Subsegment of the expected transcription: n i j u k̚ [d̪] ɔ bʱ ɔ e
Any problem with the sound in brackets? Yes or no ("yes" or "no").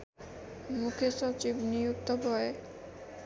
yes